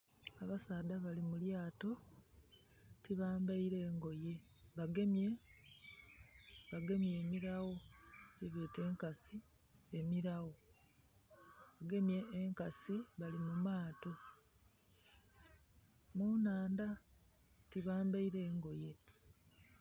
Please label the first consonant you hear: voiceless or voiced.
voiced